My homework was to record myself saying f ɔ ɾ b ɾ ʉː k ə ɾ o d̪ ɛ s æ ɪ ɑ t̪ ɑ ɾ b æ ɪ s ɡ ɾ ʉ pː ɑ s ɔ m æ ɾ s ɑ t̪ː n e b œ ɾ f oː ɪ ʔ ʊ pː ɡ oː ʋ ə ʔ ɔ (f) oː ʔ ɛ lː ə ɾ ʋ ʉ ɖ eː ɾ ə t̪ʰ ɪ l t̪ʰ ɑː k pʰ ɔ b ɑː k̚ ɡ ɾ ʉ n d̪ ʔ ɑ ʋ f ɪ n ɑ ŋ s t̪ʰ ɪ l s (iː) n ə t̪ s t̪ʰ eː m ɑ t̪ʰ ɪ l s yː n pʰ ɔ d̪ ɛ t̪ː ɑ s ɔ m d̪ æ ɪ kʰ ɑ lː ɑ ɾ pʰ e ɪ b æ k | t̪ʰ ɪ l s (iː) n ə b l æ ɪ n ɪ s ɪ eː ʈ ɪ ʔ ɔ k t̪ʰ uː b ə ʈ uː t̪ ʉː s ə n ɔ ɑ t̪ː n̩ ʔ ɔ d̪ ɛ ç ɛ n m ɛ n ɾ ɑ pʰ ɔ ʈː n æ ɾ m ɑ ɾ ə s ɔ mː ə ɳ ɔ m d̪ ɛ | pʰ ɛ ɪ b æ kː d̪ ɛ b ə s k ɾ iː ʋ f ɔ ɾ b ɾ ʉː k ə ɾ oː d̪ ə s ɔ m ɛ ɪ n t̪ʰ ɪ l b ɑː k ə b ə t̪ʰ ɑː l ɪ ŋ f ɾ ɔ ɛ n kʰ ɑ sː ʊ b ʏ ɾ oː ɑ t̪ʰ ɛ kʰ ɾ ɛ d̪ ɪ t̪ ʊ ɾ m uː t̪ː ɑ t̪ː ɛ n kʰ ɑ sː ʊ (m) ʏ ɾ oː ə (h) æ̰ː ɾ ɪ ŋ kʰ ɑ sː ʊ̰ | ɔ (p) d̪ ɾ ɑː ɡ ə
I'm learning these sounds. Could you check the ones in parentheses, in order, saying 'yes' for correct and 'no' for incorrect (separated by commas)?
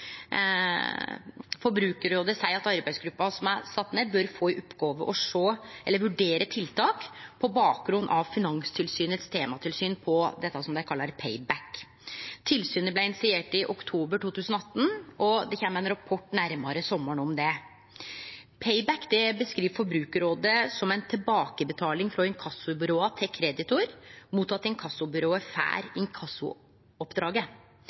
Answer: no, no, no, no, no, yes